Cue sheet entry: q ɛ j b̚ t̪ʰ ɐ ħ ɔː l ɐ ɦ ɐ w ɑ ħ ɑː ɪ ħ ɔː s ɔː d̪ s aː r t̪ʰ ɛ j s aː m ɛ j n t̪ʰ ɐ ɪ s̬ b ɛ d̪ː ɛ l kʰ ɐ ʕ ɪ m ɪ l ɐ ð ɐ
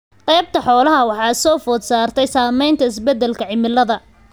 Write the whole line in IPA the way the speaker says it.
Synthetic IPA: q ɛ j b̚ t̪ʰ ɐ ħ ɔː l ɐ ɦ ɐ w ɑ ħ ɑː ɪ s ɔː f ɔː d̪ s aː r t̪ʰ ɛ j s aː m ɛ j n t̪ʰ ɐ ɪ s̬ b ɛ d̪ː ɛ l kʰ ɐ ʕ ɪ m ɪ l ɐ ð ɐ